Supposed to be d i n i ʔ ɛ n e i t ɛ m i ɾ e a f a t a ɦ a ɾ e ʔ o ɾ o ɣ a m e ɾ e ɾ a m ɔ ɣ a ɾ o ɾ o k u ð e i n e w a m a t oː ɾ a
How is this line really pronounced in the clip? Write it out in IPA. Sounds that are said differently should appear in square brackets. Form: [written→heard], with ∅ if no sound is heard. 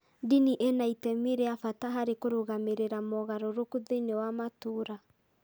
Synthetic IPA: d i n i ʔ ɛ n [e→a] i t ɛ m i ɾ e a f a t a ɦ a ɾ e [ʔ→k] o ɾ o ɣ a m e ɾ e ɾ a m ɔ ɣ a ɾ o ɾ o k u ð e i n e w a m a t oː ɾ a